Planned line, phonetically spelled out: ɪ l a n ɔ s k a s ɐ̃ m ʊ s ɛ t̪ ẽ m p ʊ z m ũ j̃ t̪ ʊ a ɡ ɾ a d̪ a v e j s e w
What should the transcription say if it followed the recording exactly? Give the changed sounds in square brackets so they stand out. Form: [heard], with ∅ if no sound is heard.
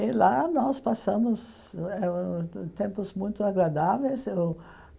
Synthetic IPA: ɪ l a n ɔ s [p] a s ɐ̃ m ʊ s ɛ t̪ ẽ m p ʊ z m ũ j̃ t̪ ʊ a ɡ ɾ a d̪ a v e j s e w